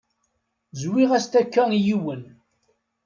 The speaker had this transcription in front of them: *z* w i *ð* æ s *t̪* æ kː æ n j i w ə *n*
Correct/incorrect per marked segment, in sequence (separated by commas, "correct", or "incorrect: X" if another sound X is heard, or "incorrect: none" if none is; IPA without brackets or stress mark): correct, incorrect: ʁ, correct, correct